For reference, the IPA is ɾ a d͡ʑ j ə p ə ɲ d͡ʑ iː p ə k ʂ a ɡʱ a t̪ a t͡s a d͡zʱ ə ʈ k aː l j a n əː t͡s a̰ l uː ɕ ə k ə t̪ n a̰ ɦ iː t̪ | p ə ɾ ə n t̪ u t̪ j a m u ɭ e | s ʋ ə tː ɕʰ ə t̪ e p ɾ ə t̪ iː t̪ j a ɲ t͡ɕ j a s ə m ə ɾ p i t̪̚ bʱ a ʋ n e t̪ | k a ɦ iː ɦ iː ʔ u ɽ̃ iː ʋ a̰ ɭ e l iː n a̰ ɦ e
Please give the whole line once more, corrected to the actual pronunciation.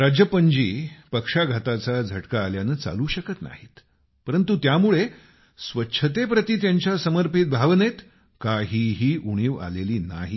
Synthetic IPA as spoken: ɾ a d͡ʑ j ə p ə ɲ d͡ʑ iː p ə k ʂ a ɡʱ a t̪ a t͡s a d͡zʱ ə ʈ k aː l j a n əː t͡s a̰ l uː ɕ ə k ə t̪ n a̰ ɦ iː t̪ | p ə ɾ ə n t̪ u t̪ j a m u ɭ e | s ʋ ə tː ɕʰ ə t̪ e p ɾ ə t̪ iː t̪ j a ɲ t͡ɕ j a s ə m ə ɾ p i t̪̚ bʱ a ʋ n e t̪ | k a ɦ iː ɦ iː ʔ u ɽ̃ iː ʋ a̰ l e l iː n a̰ ɦ i